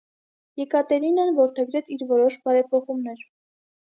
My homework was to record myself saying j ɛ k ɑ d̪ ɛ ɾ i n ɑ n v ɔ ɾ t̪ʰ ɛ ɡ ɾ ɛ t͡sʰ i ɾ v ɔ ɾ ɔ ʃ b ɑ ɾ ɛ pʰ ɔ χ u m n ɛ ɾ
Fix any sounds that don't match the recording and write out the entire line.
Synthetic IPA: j ɛ k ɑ t̪ ɛ ɾ i n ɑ n v ɔ ɾ t̪ʰ ɛ ɡ ɾ ɛ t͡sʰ i ɾ v ɔ ɾ ɔ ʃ b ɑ ɾ ɛ pʰ ɔ χ u m n ɛ ɾ